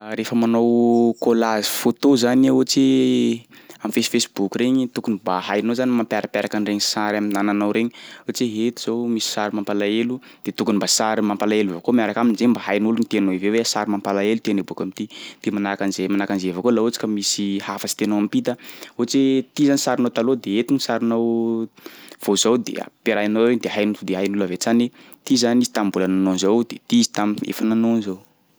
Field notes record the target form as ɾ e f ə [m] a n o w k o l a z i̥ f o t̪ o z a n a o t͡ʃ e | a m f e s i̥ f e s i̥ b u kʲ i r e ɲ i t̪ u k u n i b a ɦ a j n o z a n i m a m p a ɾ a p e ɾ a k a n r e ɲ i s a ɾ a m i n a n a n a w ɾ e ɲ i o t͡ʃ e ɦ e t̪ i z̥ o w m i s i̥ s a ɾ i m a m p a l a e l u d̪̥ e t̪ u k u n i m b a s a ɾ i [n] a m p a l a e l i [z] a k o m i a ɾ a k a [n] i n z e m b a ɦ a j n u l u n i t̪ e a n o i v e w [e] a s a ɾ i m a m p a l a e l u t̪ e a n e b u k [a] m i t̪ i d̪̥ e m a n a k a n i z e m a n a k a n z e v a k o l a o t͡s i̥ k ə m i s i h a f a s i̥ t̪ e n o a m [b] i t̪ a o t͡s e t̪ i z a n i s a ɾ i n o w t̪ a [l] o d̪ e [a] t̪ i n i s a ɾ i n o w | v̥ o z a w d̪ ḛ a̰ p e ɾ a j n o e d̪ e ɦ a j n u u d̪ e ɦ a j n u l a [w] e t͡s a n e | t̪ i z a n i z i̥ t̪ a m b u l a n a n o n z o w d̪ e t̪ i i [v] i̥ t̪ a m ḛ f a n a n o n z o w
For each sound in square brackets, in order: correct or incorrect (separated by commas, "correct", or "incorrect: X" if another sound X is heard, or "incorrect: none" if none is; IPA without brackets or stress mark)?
correct, incorrect: m, incorrect: v, incorrect: m, correct, correct, incorrect: p, correct, incorrect: e, incorrect: v, incorrect: z